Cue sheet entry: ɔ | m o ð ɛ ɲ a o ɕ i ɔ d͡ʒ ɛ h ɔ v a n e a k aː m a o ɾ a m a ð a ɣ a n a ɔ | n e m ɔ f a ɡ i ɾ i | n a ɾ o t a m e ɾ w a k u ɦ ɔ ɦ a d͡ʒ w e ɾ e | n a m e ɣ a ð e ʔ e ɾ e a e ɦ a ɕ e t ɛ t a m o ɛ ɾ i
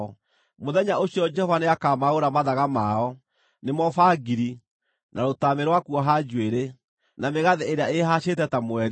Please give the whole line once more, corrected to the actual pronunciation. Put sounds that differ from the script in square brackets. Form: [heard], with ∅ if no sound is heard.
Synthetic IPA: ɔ | m o ð ɛ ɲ a o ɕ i ɔ d͡ʒ ɛ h ɔ v a n e a k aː m a o ɾ a m a ð a ɣ a [m] a ɔ | n e m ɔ f a ɡ i ɾ i | n a ɾ o t a m e ɾ w a k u [∅] ɔ ɦ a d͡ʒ w e ɾ e | n a m e ɣ a ð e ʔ e ɾ e a e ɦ a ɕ e t ɛ t a m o ɛ ɾ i